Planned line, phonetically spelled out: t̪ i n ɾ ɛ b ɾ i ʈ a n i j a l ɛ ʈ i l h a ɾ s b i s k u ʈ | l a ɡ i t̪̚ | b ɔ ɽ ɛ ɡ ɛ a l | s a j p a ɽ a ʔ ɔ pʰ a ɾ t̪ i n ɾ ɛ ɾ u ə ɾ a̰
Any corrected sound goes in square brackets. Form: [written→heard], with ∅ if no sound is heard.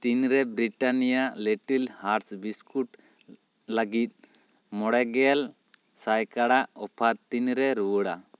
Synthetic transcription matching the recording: t̪ i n ɾ ɛ b ɾ i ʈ a n i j a l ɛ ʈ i l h a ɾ s b i s k u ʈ | l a ɡ i t̪̚ | [b→m] ɔ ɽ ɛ ɡ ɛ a l | s a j [p→k] a ɽ a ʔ ɔ pʰ a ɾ t̪ i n ɾ ɛ ɾ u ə [ɾ→ɽ] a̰